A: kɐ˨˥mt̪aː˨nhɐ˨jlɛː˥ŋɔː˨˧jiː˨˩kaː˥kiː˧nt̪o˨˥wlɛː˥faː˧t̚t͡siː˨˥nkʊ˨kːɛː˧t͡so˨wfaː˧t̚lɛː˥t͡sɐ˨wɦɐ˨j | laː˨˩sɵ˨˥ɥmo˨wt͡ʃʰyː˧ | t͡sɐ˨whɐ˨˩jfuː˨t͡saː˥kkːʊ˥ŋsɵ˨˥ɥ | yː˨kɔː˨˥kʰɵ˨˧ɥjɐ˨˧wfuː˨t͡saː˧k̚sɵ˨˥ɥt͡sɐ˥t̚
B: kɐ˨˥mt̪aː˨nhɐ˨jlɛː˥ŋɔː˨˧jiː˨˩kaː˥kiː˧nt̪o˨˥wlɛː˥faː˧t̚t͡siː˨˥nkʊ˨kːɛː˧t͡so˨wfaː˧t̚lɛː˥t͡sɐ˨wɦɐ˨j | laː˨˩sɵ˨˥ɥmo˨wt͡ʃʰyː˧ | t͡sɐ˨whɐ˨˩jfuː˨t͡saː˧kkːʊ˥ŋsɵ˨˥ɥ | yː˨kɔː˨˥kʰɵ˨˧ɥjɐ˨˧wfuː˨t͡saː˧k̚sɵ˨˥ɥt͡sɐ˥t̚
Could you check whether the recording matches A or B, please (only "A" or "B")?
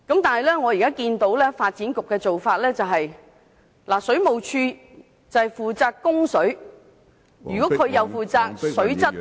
B